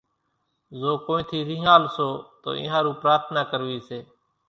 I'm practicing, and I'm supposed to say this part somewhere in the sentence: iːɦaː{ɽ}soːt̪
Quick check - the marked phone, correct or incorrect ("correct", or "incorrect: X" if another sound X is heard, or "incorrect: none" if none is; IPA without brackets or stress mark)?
incorrect: l